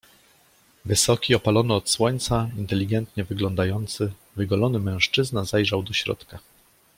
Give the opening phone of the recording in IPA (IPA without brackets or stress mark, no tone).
v